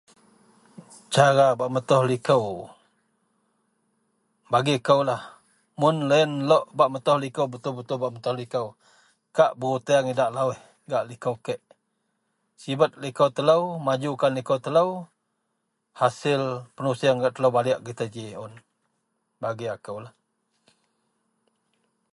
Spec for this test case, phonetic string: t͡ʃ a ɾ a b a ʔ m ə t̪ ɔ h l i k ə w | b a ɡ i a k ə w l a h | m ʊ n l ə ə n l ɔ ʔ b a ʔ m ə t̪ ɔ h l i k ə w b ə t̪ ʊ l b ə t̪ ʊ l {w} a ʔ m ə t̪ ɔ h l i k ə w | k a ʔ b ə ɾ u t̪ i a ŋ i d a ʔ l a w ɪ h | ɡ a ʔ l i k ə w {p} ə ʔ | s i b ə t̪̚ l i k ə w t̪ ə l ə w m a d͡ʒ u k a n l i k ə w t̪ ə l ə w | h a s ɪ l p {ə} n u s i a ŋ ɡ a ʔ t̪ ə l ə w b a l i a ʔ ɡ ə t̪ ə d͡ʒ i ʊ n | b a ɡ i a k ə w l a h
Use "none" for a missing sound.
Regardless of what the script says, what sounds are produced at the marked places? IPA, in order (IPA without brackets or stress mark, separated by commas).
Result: b, k, ə